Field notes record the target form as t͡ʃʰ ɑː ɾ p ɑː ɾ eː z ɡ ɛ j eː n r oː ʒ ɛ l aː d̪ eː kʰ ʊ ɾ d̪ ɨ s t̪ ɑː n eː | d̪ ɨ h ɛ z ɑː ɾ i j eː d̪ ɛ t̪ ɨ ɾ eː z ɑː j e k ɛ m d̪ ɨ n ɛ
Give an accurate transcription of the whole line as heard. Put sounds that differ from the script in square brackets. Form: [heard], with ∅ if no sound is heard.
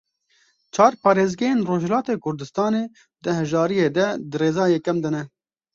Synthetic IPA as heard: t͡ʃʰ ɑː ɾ p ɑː ɾ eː z ɡ ɛ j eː n r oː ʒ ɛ l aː [t̪] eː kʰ ʊ ɾ d̪ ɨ s t̪ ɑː n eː | d̪ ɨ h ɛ [ʒ] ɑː ɾ i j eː d̪ ɛ [d̪] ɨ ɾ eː z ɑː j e k ɛ m d̪ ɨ n ɛ